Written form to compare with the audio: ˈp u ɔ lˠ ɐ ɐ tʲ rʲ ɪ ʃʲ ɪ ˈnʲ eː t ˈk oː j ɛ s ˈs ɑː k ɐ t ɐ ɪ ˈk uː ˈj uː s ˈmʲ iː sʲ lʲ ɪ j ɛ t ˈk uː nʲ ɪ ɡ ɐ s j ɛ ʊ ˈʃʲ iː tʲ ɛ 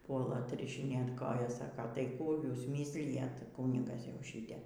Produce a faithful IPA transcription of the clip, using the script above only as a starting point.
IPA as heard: ˈp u ɔ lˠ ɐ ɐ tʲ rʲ ɪ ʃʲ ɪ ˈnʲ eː t ˈk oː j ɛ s ˈs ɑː k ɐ t ɐ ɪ ˈk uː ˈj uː s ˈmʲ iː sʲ lʲ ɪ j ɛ t ˈk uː nʲ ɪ ɡ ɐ s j ɛ ʊ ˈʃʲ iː tʲ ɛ

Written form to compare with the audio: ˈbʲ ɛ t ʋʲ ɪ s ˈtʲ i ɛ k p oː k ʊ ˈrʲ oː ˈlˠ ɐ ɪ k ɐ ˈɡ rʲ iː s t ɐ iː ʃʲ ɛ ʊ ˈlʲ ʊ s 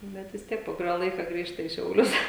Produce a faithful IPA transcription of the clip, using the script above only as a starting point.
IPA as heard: ˈbʲ ɛ t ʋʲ ɪ s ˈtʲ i ɛ k p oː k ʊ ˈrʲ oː ˈlˠ ɐ ɪ k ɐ ˈɡ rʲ iː ʃ t ɐ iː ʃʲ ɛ ʊ ˈlʲ ʊ s

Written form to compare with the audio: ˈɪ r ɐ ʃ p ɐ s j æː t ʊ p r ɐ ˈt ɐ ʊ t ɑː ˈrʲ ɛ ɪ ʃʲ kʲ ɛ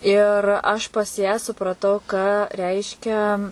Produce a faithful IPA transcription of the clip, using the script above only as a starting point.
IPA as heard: ˈɪ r ɐ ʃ p ɐ s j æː s ʊ p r ɐ ˈt ɐ ʊ k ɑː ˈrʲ ɛ ɪ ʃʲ kʲ ɛ

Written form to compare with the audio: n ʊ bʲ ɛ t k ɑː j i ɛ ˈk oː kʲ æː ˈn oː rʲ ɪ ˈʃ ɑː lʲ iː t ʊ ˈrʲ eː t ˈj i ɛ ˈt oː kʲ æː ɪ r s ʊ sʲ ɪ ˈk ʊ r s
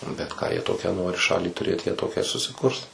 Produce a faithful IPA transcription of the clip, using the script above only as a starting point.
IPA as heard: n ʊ bʲ ɛ t k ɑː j i ɛ ˈt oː kʲ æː ˈn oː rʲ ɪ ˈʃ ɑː lʲ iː t ʊ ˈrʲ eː t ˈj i ɛ ˈt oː kʲ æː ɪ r s ʊ sʲ ɪ ˈk ʊ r s

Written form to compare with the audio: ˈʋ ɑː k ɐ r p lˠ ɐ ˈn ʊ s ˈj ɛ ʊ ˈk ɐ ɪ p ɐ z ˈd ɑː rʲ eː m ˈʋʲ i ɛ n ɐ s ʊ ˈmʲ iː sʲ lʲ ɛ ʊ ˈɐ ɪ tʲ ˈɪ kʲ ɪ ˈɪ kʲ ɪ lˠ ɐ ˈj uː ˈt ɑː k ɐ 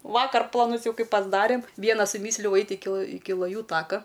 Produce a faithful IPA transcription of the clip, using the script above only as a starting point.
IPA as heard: ˈʋ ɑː k ɐ r p lˠ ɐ ˈn ʊ s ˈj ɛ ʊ ˈk ɐ ɪ p ɐ z ˈd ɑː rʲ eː m ˈʋʲ i ɛ n ɐ s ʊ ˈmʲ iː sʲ lʲ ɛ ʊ ˈɐ ɪ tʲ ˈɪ kʲ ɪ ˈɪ kʲ ɪ lˠ ɐ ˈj uː ˈt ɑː k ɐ

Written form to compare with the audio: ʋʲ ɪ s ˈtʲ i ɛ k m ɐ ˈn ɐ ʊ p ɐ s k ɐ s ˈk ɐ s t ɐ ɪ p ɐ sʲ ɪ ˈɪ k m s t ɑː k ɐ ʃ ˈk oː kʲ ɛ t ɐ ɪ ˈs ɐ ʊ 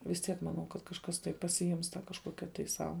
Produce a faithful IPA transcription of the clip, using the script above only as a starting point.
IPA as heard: ʋʲ ɪ s ˈtʲ i ɛ k m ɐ ˈn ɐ ʊ k ɐ t k ɐ ʃ ˈk ɐ s t ɐ ɪ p ɐ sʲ ɪ ˈɪ m s t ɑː k ɐ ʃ ˈk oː kʲ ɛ t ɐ ɪ ˈs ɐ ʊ

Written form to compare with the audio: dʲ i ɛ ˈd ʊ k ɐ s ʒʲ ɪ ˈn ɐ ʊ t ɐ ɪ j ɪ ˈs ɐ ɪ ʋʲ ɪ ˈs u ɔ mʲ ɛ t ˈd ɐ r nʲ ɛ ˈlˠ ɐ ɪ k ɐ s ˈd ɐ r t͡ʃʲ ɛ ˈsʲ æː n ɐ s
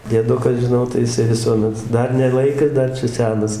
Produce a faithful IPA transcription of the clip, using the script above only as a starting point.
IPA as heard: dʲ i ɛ ˈd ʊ k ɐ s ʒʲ ɪ ˈn ɐ ʊ t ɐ ɪ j ɪ ˈs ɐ ɪ ʋʲ ɪ ˈs u ɔ mʲ ɛ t ˈd ɐ r nʲ ɛ ˈlˠ ɐ ɪ k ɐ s ˈd ɐ r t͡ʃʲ ɛ ˈsʲ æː n ɐ s

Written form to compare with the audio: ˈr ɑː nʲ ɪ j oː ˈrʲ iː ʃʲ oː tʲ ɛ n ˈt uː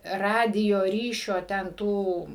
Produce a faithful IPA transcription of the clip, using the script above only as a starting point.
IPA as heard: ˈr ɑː dʲ ɪ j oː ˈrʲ iː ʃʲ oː tʲ ɛ n ˈt uː

